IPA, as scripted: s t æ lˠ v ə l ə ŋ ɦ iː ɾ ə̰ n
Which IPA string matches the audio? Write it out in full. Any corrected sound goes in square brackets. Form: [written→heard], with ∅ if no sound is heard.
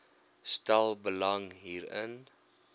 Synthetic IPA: s t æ lˠ [v→b] ə l [ə→ɐ] ŋ ɦ iː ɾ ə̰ n